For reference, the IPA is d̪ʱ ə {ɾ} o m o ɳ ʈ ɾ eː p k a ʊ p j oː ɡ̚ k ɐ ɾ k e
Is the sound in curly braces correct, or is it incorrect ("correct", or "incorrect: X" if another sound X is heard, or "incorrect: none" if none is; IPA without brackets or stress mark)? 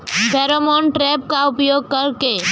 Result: correct